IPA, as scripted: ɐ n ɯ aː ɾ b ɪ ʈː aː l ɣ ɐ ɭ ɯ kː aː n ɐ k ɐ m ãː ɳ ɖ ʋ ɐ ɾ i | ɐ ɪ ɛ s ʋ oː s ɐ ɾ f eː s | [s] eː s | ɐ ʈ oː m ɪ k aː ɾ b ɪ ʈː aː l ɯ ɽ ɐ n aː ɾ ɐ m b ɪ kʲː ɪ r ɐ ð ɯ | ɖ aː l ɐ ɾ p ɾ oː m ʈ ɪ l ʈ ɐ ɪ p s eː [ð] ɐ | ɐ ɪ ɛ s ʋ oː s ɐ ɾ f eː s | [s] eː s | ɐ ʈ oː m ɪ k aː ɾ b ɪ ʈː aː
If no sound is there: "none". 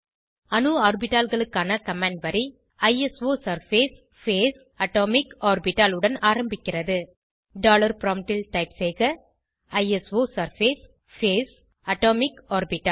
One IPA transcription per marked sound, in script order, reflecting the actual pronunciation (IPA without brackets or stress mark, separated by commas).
f, ɣ, f